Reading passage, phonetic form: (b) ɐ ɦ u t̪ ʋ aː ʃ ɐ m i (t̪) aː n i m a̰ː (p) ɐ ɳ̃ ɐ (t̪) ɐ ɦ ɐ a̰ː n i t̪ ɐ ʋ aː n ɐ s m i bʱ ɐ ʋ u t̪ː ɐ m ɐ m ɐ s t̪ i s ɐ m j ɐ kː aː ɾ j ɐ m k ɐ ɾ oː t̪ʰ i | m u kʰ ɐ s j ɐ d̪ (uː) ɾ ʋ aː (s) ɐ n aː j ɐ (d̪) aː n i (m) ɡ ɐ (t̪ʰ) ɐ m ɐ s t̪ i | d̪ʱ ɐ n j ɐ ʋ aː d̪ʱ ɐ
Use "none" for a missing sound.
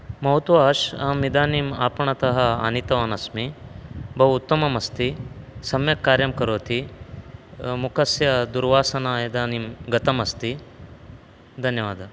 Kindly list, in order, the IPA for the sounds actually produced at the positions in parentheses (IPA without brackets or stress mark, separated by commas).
m, d̪, p, t̪, u, s, d̪, m, t̪